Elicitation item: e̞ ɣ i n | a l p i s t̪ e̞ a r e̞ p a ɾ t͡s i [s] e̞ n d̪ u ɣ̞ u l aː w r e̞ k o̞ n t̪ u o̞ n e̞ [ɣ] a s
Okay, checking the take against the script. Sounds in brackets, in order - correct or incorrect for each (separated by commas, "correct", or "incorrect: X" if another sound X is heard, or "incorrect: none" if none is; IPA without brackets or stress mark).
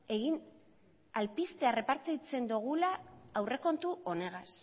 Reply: incorrect: t͡s, correct